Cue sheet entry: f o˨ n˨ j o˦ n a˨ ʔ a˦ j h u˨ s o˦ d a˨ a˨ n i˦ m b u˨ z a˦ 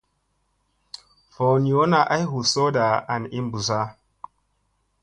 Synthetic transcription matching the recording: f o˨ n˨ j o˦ n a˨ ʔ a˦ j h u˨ s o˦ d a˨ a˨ n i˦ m b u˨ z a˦